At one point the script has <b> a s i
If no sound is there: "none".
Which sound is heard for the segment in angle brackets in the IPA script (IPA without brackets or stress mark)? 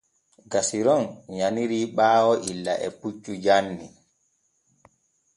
ɡ